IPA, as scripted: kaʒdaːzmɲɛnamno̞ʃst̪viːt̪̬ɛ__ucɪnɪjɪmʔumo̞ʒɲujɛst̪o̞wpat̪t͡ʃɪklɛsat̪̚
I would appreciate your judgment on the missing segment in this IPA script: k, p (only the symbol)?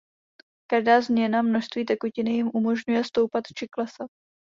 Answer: k